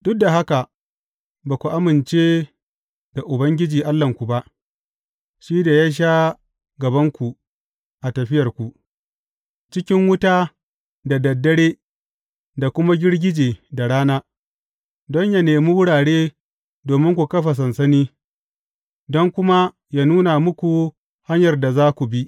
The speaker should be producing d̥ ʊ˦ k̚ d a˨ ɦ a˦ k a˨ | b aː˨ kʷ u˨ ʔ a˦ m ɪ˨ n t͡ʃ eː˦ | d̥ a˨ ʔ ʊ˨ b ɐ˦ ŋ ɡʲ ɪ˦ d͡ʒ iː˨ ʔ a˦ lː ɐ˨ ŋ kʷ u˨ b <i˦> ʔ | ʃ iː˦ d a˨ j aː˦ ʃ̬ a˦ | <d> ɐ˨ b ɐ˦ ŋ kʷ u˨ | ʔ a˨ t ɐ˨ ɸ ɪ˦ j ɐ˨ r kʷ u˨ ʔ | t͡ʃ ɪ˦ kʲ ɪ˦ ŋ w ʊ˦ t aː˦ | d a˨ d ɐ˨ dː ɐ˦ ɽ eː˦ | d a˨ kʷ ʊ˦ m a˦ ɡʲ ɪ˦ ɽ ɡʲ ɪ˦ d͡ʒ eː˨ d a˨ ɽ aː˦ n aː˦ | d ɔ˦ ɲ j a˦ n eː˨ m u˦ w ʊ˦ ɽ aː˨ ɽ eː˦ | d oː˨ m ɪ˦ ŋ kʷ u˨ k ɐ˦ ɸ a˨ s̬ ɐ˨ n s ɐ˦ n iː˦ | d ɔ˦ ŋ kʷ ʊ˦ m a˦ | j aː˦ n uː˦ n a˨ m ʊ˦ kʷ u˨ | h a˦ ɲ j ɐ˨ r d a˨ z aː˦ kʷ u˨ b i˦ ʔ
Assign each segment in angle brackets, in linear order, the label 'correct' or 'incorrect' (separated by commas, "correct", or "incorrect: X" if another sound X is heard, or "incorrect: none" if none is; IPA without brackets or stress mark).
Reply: incorrect: a˦, incorrect: ɡ